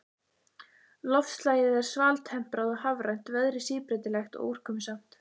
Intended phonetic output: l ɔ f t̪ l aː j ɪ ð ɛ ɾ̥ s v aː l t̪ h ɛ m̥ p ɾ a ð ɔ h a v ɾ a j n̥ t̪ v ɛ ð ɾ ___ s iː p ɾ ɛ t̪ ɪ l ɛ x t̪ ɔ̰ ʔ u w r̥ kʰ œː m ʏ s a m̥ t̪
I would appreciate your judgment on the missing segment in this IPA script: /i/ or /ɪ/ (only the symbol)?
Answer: ɪ